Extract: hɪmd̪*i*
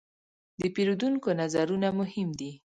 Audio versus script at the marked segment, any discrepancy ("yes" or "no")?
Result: no